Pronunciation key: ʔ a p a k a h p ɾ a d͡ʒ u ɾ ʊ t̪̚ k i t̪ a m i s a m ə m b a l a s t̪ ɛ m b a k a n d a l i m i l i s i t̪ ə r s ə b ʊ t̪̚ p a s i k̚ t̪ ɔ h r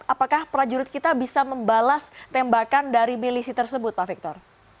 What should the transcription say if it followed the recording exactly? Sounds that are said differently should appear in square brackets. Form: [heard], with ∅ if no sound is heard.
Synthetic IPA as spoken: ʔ a p a k a h p ɾ a d͡ʒ u ɾ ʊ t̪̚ k i t̪ a [b] i s a m ə m b a l a s t̪ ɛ m b a k a n d a [ɾ] i m i l i s i t̪ ə r s ə b ʊ t̪̚ p a [f] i k̚ t̪ ɔ [∅] r